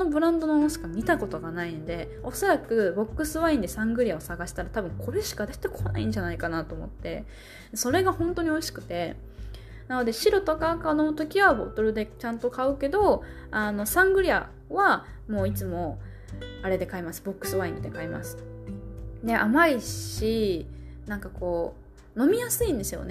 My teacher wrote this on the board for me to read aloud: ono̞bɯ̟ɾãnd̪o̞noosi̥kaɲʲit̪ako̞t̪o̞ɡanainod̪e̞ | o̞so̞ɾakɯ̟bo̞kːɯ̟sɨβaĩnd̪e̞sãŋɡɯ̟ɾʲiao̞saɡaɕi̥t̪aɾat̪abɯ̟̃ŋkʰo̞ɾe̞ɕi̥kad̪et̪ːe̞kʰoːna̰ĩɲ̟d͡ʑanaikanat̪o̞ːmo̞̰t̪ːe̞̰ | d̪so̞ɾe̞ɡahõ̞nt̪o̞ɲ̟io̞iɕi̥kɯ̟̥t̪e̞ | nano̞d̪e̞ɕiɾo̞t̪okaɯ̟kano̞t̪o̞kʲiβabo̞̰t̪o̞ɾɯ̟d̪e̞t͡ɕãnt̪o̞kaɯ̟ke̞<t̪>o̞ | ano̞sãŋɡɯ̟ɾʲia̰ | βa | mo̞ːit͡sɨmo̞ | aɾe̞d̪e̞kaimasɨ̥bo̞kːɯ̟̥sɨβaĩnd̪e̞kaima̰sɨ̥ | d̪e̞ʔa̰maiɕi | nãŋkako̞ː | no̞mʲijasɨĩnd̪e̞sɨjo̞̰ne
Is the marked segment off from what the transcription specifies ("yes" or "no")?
yes